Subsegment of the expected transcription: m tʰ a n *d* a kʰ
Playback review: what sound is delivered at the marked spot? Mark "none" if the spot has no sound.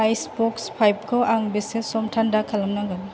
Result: d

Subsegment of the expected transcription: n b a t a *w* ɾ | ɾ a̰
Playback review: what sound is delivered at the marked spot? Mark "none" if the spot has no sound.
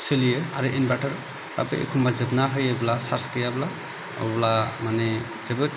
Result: none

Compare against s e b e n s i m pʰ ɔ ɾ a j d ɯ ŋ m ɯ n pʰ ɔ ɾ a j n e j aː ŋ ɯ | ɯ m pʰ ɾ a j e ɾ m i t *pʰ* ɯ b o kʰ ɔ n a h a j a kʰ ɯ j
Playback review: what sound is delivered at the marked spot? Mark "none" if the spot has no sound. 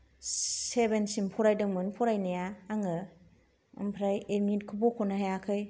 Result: kʰ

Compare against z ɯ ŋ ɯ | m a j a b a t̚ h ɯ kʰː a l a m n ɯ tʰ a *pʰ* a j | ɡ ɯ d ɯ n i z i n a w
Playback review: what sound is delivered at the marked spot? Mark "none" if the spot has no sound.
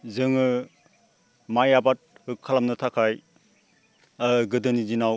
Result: kʰ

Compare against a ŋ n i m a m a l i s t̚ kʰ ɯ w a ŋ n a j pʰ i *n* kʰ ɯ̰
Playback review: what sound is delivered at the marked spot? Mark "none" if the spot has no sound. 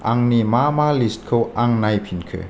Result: n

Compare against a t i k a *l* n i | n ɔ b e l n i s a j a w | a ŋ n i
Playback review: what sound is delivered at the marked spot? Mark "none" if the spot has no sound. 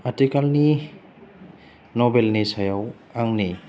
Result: l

